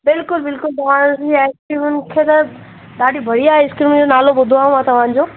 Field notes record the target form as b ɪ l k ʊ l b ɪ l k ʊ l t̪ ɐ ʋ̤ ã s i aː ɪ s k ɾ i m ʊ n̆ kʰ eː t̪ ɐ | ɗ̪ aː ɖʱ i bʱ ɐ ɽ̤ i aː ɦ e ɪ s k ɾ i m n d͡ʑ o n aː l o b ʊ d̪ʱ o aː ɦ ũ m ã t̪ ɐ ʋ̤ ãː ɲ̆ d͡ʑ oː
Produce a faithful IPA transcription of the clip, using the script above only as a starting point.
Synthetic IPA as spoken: b ɪ l k ʊ l b ɪ l k ʊ l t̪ ɐ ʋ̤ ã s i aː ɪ s k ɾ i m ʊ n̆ kʰ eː t̪ ɐ | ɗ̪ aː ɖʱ i bʱ ɐ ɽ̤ i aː ɦ e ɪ s k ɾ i m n d͡ʑ o n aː l o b ʊ d̪ʱ o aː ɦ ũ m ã t̪ ɐ ʋ̤ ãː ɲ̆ d͡ʑ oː